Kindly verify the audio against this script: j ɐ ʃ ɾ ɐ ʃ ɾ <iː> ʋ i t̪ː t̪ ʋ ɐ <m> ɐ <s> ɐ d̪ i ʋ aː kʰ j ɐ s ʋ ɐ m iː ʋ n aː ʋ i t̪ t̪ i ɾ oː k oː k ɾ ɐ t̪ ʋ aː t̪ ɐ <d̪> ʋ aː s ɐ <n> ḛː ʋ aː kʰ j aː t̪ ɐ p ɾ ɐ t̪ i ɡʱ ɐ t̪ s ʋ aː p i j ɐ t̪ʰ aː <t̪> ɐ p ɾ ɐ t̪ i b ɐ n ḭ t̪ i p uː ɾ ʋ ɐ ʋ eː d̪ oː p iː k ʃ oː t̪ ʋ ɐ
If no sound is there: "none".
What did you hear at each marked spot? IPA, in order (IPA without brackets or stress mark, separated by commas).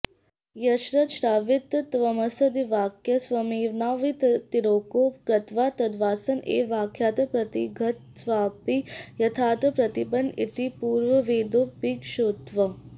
aː, m, s, d̪, n, t̪